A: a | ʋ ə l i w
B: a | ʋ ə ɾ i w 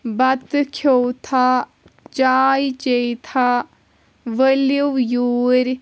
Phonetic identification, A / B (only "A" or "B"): A